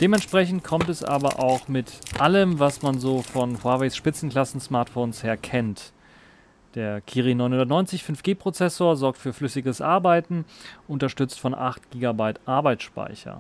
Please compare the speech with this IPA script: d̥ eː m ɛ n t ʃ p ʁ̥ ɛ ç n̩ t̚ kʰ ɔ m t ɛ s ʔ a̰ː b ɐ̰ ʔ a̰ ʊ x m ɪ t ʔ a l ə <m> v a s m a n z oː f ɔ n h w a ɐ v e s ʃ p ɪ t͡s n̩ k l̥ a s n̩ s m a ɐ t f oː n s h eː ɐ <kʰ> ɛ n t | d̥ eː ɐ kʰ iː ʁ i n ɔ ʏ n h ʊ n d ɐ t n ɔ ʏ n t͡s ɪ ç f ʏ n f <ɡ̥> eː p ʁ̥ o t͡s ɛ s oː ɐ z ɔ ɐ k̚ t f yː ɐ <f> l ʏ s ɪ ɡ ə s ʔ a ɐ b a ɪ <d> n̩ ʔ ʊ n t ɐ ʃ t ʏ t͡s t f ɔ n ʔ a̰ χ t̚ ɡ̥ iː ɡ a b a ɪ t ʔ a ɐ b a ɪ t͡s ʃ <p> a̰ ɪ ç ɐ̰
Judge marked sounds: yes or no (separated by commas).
yes, yes, yes, yes, no, yes